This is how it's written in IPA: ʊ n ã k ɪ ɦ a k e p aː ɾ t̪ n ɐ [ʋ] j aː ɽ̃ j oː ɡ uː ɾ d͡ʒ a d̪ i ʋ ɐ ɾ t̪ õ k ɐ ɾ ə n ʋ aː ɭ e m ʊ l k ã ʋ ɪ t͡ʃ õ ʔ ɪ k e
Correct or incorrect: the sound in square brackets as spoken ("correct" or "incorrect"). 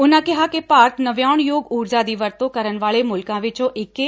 correct